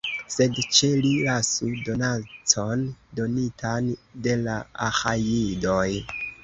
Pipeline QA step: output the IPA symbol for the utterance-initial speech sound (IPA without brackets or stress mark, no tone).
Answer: s